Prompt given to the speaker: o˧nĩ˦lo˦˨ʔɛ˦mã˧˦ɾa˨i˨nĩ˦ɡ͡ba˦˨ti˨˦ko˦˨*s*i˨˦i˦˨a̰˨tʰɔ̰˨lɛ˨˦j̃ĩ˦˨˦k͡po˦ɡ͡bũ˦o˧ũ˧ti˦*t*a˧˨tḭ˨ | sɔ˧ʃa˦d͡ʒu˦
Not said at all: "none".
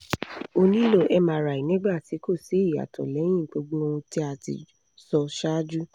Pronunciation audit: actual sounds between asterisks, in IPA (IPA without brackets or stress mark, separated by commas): s, none